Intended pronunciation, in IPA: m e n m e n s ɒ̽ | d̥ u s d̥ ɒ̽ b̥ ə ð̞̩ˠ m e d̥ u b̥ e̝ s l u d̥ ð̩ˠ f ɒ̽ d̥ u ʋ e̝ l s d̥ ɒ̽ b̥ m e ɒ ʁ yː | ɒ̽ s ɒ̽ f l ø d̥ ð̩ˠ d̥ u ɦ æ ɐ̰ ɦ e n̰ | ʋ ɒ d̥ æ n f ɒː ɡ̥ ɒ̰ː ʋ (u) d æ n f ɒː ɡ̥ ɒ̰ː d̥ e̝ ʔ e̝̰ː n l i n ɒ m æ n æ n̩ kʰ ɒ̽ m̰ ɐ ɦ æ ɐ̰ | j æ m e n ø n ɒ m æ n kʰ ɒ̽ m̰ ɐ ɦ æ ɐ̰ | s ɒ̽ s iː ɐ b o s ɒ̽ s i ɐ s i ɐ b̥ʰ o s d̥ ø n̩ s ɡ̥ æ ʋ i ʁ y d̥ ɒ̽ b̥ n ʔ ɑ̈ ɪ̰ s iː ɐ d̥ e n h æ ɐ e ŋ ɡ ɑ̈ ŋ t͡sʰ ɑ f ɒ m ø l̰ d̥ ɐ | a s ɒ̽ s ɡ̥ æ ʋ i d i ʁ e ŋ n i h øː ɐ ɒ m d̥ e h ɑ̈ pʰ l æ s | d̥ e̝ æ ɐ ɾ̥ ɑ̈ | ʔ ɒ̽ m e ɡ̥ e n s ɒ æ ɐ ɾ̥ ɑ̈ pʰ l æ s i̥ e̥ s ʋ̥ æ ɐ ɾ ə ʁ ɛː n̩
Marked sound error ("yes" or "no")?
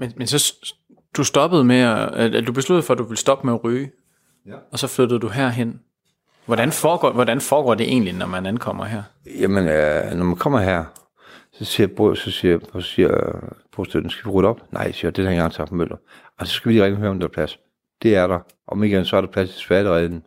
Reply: yes